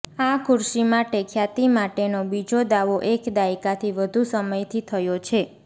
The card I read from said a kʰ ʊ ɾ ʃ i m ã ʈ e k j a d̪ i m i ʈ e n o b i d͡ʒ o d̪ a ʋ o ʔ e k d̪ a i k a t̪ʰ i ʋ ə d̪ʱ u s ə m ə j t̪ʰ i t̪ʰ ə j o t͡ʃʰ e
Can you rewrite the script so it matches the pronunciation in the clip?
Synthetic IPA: a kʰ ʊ ɾ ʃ i m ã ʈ e kʰ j a t̪ i m a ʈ e n o b i d͡ʒ o d̪ a ʋ o ʔ e k d̪ a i k a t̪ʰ i ʋ ə d̪ʱ u s ə m ə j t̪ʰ i t̪ʰ ə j o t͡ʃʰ e